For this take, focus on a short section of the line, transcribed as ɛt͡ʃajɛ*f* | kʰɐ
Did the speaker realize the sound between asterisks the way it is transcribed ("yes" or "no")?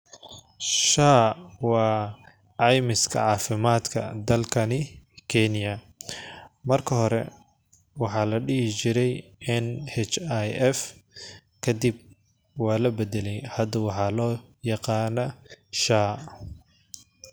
yes